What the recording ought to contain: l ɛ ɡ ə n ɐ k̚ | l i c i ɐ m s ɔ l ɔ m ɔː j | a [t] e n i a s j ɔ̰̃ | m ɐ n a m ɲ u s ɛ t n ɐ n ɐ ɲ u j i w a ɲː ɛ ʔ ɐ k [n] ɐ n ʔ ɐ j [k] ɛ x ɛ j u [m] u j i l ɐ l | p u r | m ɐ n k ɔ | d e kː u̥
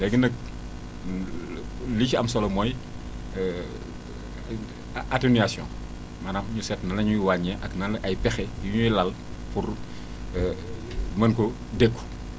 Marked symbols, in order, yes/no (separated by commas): yes, yes, no, no